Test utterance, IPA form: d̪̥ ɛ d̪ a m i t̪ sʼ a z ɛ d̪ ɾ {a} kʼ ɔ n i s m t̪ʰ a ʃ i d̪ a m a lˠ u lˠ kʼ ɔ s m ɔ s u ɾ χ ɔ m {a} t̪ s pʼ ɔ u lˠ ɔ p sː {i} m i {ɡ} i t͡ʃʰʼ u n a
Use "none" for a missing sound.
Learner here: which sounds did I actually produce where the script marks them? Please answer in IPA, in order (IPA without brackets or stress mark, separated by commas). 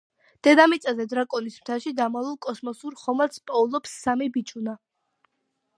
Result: a, a, a, b